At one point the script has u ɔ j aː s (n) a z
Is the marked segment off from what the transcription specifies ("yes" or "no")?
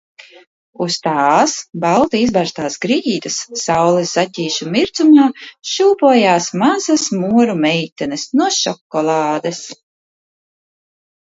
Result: yes